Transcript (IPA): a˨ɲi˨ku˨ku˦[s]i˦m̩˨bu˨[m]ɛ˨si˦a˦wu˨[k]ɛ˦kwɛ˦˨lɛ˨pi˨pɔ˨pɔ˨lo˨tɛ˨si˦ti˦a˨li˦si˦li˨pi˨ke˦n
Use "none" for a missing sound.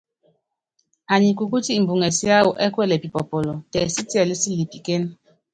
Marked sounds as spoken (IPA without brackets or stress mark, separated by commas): t, ŋ, ʔ